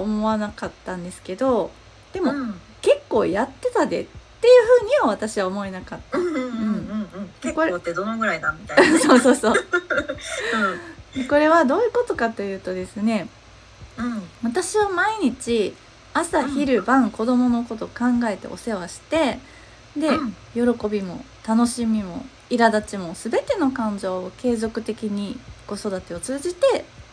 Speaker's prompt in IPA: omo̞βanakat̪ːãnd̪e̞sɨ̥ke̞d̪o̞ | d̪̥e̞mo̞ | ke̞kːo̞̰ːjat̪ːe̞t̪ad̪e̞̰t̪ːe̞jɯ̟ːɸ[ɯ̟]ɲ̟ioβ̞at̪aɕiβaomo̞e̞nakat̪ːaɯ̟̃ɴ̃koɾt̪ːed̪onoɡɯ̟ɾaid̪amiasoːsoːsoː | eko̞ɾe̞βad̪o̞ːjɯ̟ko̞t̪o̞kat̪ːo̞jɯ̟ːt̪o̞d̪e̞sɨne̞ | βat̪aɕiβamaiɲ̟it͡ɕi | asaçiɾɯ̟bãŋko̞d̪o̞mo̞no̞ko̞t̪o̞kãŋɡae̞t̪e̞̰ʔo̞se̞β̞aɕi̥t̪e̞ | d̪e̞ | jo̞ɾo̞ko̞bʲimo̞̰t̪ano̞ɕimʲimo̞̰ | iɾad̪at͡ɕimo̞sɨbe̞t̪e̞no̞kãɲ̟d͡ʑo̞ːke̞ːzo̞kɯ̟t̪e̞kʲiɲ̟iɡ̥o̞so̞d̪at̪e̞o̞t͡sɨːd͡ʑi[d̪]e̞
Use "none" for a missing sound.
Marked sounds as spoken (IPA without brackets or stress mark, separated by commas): ɯ̟ː, t̪